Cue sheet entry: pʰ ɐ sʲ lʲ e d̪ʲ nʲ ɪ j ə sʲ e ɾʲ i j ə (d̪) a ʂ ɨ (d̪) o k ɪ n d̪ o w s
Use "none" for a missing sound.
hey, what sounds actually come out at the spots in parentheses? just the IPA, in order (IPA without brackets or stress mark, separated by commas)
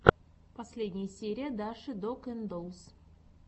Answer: d̪, d̪